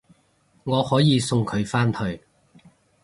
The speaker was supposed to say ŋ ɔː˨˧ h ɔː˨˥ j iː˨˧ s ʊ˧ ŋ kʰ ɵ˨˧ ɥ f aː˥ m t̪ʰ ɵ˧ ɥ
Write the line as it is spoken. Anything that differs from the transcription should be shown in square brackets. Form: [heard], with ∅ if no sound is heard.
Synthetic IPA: ŋ ɔː˨˧ h ɔː˨˥ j iː˨˧ s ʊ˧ ŋ kʰ ɵ˨˧ ɥ f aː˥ [n] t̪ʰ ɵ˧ ɥ